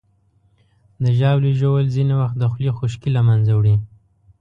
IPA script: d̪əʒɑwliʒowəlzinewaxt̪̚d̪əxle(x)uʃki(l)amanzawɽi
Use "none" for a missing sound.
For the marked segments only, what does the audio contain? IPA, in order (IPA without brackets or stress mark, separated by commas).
x, l